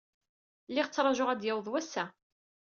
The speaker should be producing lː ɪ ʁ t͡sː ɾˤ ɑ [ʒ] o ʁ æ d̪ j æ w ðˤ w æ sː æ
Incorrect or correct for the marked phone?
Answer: correct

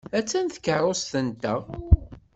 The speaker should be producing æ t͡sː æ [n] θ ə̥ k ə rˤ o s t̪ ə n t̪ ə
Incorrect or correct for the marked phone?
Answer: correct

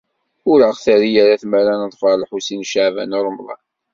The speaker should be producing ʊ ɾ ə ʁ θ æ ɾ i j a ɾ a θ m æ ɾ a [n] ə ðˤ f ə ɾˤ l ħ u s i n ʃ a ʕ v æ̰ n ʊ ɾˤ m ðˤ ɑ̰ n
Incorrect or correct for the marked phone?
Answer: correct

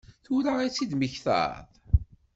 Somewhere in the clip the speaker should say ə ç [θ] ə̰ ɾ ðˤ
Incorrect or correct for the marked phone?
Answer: correct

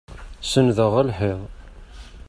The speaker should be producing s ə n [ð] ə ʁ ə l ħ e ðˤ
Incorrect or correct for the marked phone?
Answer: correct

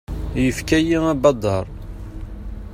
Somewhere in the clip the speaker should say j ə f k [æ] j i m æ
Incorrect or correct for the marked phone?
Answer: correct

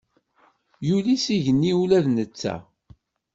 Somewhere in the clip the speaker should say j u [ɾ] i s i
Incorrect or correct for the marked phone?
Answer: incorrect: l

